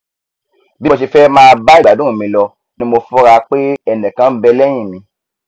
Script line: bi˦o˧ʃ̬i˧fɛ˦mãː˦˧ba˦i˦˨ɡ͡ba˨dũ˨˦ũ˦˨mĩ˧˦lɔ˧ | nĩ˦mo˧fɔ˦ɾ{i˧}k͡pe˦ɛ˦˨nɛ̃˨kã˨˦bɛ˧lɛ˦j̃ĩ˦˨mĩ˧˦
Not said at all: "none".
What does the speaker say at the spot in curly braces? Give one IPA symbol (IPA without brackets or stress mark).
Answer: a˧